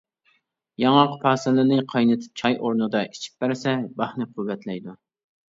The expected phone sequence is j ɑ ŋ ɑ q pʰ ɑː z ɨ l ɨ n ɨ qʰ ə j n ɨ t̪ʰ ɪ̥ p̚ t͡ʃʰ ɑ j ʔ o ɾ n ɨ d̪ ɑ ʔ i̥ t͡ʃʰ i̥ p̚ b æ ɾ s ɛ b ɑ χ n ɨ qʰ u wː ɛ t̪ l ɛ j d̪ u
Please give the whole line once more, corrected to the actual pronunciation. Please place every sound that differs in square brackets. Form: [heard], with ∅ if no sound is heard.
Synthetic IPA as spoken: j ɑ ŋ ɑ q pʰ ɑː [s] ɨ l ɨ n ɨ qʰ [ɑ] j n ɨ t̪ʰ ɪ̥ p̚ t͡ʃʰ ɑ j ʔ o ɾ n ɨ d̪ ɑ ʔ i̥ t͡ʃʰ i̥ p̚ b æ ɾ s ɛ b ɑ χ n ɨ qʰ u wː ɛ t̪ l ɛ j d̪ u